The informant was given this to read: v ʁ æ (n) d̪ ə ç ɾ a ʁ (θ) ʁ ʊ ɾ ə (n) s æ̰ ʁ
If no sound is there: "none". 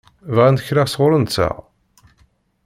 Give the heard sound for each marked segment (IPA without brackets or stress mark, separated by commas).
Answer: n, s, n